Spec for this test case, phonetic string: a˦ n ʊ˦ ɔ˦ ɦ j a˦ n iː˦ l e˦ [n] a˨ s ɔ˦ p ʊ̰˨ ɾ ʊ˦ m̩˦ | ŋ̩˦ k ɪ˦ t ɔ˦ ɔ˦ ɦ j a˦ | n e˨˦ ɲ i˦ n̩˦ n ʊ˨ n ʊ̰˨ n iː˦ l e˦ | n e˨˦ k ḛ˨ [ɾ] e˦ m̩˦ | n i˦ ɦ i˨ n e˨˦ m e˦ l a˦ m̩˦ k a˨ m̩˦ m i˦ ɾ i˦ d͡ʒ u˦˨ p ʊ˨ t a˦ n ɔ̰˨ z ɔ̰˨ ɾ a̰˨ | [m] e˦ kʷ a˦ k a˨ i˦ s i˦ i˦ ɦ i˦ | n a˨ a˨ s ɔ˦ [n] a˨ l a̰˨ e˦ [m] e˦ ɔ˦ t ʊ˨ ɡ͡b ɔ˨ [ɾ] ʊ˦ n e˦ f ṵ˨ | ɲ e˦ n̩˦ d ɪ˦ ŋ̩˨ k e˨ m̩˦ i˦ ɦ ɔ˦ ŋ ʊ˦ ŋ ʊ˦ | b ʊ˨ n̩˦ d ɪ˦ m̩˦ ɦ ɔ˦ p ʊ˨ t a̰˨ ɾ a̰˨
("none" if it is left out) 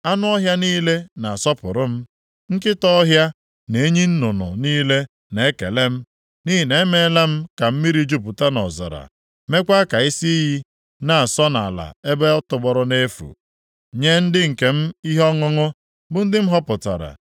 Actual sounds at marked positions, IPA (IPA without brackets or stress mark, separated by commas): n, l, m, n, b, ɾ